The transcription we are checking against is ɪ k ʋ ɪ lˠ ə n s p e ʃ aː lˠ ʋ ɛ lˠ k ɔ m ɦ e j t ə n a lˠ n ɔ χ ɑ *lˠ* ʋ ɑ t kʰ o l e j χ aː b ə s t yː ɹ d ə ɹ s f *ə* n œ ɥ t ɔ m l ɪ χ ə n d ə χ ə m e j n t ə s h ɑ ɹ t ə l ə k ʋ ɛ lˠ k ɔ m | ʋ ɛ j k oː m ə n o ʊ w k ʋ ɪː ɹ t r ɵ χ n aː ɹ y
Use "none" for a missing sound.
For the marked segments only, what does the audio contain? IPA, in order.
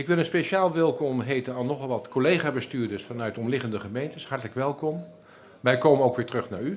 lˠ, ɑ

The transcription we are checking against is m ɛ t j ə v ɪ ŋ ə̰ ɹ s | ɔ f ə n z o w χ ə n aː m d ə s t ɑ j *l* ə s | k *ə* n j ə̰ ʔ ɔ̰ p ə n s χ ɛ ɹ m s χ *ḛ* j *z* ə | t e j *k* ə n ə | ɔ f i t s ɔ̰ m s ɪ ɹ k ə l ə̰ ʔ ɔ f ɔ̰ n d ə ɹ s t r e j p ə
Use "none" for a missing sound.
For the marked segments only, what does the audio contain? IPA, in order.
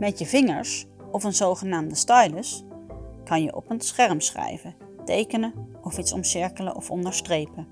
l, ɑ, ɛ̰, v, k

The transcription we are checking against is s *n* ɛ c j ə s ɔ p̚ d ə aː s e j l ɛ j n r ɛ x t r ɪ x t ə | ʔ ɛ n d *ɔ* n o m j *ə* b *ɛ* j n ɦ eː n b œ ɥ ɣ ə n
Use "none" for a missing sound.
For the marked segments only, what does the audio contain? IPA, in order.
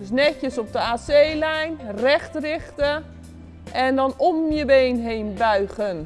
n, ɔ, ə, e

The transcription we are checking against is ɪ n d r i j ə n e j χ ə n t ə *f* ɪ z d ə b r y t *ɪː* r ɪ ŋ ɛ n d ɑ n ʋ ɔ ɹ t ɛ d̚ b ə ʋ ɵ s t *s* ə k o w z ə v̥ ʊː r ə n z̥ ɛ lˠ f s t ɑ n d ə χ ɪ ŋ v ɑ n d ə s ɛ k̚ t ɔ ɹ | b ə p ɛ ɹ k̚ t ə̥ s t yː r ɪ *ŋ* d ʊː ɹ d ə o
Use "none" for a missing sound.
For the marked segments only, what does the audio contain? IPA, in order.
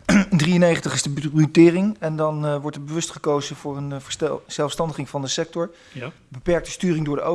χ, ɪː, χ, ŋ

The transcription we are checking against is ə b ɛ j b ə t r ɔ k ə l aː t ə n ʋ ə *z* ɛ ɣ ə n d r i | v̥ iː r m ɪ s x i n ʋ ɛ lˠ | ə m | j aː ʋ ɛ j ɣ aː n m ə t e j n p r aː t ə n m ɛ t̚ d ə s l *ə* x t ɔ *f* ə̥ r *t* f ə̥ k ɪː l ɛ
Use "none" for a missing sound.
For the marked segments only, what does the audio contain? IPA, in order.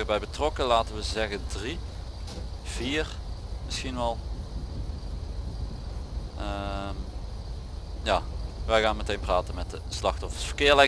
z, ɑ, f, s

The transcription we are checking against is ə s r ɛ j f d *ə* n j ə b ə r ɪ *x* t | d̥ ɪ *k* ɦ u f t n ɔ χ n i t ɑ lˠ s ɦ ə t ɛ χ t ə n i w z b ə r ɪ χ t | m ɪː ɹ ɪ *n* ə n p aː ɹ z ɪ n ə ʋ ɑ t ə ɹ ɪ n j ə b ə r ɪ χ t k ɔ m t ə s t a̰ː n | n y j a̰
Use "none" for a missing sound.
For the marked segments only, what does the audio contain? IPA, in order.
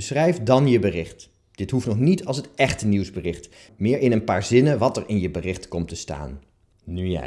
ɑ, χ, t, n

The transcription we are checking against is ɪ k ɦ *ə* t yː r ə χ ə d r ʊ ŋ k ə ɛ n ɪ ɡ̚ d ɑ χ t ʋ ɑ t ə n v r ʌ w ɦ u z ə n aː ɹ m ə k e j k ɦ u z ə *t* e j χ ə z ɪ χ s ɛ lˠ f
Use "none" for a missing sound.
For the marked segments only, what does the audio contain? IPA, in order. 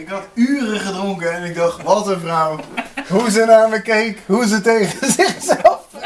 ɑ, t

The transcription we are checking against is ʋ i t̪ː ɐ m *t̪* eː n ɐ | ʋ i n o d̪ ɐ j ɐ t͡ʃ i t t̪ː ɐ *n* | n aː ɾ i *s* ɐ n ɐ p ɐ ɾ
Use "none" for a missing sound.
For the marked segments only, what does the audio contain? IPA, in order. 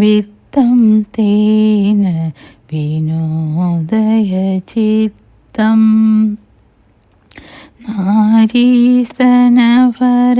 t̪, m, s

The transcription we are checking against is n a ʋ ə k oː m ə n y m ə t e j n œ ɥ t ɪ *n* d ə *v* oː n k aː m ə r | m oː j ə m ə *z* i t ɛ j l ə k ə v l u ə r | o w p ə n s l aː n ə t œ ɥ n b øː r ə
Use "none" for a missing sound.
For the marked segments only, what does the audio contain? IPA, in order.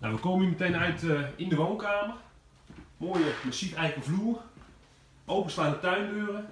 n, ʋ, s

